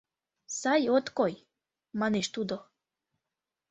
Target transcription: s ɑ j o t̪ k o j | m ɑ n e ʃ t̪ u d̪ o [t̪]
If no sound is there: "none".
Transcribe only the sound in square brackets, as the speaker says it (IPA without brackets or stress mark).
none